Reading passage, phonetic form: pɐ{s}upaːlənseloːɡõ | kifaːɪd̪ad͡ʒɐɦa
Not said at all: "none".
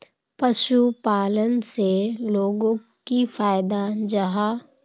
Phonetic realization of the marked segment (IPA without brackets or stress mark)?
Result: ʃ